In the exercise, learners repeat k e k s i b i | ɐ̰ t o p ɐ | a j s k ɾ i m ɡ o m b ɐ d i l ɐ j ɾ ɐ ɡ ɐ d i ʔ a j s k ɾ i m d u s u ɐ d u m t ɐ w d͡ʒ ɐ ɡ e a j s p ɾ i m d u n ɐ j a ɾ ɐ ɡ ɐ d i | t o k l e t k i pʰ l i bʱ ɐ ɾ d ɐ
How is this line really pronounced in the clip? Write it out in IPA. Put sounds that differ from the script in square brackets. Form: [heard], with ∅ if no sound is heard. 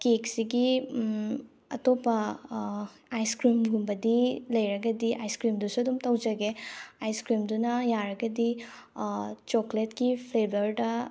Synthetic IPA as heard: k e k s i [ɡ] i | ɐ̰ t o p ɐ | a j s k ɾ i m ɡ [u] m b ɐ d i l ɐ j ɾ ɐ ɡ ɐ d i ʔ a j s k ɾ i m d u s u ɐ d u m t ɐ w d͡ʒ ɐ ɡ e a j s [k] ɾ i m d u n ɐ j a ɾ ɐ ɡ ɐ d i | [t͡ʃ] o k l e t k i pʰ l [e] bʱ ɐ ɾ d ɐ